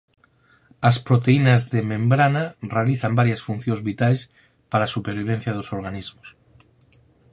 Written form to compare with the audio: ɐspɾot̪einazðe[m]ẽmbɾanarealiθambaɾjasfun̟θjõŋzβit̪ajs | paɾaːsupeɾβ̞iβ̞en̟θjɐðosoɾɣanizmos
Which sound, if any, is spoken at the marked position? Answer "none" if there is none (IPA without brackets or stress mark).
m